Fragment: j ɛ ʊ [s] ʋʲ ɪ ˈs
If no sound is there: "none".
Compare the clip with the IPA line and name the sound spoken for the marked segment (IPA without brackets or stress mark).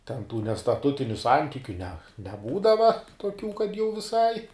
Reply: none